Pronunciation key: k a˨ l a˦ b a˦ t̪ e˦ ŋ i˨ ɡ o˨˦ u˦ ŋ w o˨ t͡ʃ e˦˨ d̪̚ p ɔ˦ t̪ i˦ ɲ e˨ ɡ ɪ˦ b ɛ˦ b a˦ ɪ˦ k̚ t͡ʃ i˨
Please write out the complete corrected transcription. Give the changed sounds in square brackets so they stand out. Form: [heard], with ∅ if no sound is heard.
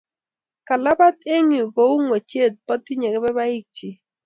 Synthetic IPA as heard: k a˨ l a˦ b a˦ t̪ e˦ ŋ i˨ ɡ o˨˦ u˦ ŋ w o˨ t͡ʃ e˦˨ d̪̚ p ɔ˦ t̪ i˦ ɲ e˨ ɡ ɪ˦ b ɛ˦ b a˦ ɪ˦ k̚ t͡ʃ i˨